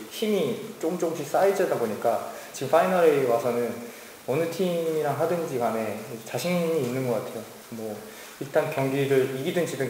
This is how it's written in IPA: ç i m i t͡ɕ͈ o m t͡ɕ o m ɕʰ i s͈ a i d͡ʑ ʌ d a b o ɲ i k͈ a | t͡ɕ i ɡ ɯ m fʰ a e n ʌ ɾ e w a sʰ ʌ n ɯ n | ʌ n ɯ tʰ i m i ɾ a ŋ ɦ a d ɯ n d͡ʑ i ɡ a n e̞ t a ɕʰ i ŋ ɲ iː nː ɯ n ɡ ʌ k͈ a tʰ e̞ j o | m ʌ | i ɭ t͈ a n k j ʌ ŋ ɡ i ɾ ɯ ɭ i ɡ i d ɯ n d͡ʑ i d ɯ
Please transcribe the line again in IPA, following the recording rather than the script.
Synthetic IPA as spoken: ç i m i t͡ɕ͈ o m t͡ɕ o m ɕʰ i s͈ a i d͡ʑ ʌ d a b o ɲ i k͈ a | t͡ɕ i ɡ ɯ m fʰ a i n ʌ ɾ e w a sʰ ʌ n ɯ n | ʌ n ɯ tʰ i m i ɾ a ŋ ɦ a d ɯ n d͡ʑ i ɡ a n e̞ t͡ɕ a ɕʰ i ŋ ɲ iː nː ɯ n ɡ ʌ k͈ a tʰ e̞ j o | m ʌ | i ɭ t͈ a n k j ʌ ŋ ɡ i ɾ ɯ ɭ i ɡ i d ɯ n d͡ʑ i d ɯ